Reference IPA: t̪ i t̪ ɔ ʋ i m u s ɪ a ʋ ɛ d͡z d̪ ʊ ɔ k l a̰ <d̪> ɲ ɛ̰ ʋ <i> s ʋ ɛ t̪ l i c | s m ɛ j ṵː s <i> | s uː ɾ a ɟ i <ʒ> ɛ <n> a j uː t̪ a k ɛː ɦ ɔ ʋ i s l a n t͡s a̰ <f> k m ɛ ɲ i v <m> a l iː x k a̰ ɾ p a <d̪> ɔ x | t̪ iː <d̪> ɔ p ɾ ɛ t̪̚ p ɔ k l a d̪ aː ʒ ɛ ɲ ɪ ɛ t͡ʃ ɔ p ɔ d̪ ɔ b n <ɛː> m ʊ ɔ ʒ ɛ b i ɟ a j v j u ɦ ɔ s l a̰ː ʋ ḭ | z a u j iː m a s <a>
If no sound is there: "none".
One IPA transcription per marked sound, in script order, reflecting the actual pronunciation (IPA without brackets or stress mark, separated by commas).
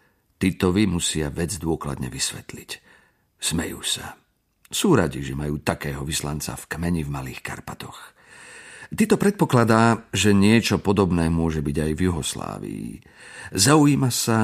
d̪, i, a, ʒ, m, f, m, t̪, t̪, ɛː, a